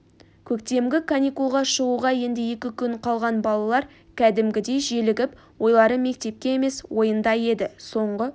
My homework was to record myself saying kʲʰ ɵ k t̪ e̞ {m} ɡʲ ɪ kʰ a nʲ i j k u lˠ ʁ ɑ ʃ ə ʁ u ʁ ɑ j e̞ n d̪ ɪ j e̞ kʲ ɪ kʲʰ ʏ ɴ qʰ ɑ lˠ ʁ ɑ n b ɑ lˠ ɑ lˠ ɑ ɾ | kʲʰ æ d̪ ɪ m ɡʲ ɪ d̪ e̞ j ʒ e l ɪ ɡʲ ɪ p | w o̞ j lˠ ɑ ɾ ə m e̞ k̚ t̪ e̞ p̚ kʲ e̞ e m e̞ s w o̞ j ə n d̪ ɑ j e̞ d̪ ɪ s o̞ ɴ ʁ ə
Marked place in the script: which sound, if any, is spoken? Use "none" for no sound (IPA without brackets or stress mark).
m